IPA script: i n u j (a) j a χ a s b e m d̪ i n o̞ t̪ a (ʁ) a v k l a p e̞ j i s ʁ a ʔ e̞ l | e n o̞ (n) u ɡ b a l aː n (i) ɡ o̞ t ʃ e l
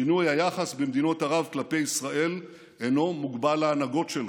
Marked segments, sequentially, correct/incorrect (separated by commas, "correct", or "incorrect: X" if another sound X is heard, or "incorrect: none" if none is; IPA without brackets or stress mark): correct, correct, incorrect: m, incorrect: a